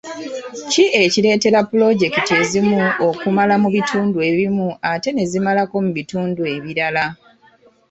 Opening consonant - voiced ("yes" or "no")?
no